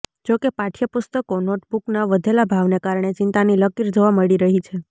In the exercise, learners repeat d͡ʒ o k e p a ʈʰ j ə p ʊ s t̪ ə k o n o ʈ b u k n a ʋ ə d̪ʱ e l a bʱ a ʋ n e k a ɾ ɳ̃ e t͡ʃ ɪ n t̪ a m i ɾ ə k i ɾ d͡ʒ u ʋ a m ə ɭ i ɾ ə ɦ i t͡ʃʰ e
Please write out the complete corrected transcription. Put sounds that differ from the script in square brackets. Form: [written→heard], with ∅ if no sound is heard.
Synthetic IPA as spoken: d͡ʒ o k e p a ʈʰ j ə p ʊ s t̪ ə k o n o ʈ b u k n a ʋ ə d̪ʱ e l a bʱ a ʋ n e k a ɾ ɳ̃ e t͡ʃ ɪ n t̪ a [m→n] i [ɾ→l] ə k i ɾ d͡ʒ [u→o] ʋ a m ə ɭ i ɾ ə ɦ i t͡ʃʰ e